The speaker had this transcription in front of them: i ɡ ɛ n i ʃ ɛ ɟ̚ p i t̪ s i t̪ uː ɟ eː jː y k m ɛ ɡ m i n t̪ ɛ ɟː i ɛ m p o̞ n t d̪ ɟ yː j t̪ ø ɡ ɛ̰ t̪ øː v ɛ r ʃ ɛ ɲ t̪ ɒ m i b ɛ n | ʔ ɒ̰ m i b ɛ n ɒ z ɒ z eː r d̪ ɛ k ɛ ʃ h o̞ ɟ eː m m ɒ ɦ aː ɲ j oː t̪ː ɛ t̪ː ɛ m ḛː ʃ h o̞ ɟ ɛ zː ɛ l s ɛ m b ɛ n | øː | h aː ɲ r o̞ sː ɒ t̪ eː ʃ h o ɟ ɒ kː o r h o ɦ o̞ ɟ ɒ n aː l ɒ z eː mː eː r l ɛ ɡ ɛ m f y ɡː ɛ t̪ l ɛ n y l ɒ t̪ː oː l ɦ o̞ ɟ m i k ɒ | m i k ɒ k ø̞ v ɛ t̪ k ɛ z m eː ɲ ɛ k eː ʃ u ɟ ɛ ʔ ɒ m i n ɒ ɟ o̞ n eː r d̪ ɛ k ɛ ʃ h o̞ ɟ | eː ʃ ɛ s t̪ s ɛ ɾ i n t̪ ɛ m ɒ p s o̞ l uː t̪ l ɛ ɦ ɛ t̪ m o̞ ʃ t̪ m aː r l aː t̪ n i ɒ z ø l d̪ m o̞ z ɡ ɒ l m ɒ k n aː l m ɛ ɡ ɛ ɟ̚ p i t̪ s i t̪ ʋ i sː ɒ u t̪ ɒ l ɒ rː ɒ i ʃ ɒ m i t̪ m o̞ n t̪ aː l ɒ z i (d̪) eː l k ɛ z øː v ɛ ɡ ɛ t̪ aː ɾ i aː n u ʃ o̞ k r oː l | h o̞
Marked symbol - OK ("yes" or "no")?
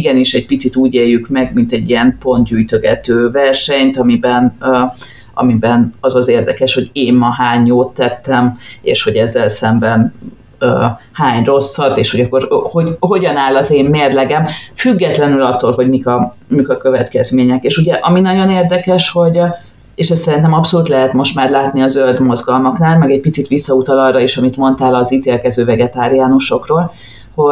no